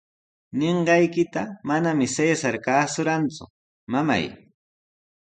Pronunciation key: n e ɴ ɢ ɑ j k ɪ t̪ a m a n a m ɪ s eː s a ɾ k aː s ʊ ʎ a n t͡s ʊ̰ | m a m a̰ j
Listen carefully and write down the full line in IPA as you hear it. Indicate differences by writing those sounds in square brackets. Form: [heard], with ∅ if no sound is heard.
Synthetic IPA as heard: n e ɴ ɢ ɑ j k ɪ t̪ a m a n a m ɪ s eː s a ɾ k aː s ʊ [ɾ] a n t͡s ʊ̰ | m a m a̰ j